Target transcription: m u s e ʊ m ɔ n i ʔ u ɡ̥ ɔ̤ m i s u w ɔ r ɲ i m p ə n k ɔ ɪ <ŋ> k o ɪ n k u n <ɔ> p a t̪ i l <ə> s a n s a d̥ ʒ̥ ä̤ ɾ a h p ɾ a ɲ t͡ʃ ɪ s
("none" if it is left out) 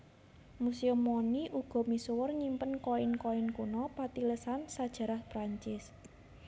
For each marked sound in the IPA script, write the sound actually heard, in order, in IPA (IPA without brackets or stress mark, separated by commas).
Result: n, ɔ, ə